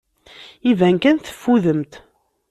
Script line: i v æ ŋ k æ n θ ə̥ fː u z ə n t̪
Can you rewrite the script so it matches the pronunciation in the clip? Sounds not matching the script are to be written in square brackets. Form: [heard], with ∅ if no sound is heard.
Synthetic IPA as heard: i v æ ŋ k æ n θ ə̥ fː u [ð] ə [m] t̪